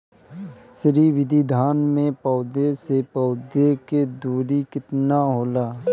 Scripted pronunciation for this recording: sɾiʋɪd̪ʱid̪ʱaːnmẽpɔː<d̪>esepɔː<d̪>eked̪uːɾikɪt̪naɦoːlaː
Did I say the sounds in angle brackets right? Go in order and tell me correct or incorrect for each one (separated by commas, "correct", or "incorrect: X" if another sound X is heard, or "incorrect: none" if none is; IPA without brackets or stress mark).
correct, correct